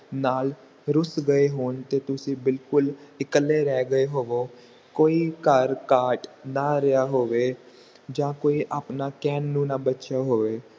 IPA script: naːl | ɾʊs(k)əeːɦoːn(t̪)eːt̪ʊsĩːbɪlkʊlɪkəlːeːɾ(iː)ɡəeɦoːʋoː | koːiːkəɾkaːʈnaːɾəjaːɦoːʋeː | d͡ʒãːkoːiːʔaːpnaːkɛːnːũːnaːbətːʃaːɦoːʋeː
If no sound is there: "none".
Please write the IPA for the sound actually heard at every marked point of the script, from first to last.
ɡ, t̪, ɛː

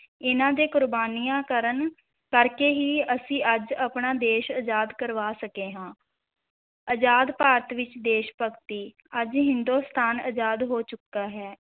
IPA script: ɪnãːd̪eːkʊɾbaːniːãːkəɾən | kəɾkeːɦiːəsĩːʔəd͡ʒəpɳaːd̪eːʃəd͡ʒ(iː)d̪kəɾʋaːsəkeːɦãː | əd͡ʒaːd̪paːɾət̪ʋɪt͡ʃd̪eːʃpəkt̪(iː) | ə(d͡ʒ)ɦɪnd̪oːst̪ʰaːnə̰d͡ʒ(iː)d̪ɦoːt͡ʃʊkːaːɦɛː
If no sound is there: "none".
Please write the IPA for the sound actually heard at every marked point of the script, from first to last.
aː, iː, d͡ʒ, aː

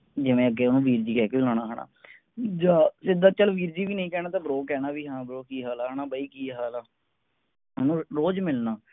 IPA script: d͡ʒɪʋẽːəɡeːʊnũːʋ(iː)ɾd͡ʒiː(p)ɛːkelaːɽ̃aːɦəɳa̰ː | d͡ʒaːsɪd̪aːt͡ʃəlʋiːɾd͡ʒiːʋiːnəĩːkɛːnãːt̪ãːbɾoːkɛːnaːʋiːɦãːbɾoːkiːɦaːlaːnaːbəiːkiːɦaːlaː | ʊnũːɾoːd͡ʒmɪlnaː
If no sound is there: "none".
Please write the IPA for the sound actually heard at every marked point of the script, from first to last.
iː, k

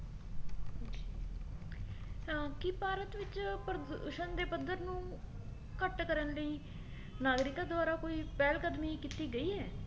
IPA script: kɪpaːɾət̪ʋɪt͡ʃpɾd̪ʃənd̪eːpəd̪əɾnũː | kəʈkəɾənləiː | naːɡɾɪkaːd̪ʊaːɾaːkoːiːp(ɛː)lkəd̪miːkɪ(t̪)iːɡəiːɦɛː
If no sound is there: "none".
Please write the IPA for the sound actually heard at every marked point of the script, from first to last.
ɛː, t̪

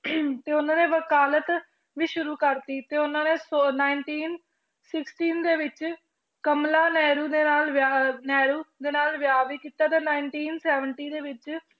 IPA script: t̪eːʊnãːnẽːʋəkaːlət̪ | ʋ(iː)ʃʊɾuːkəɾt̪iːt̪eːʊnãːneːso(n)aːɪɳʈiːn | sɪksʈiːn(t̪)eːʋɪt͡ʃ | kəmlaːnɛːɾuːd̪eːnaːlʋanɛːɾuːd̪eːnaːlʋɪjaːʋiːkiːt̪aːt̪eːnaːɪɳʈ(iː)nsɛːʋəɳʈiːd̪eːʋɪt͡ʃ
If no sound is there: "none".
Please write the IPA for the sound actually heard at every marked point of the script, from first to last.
iː, n, d̪, iː

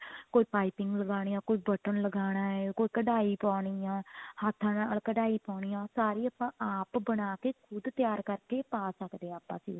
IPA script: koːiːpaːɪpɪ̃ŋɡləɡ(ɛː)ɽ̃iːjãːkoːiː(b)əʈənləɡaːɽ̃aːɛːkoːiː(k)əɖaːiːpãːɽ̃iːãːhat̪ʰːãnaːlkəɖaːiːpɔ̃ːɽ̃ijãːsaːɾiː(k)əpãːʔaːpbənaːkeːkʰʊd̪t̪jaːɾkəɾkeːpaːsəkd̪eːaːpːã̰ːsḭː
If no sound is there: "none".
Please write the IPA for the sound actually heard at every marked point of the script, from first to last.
aː, b, k, none

